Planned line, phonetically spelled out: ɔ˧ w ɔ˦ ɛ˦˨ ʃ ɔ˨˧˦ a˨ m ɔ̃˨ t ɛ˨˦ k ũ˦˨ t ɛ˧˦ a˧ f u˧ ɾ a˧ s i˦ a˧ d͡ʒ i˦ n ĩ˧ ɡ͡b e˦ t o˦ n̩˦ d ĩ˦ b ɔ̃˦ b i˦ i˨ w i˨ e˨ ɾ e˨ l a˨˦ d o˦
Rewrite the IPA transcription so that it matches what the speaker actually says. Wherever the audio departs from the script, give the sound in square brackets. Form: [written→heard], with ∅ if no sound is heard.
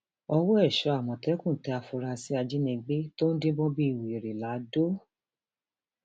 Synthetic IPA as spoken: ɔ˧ w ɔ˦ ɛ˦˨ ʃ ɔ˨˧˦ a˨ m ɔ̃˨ t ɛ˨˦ k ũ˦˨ t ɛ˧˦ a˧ f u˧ ɾ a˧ s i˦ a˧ d͡ʒ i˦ n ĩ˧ ɡ͡b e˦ t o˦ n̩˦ d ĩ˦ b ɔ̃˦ b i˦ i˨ w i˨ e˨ ɾ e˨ l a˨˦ d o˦